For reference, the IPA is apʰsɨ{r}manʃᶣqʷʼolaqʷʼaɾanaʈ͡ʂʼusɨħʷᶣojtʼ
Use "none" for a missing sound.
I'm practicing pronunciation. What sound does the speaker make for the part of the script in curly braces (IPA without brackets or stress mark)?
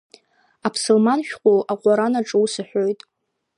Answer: l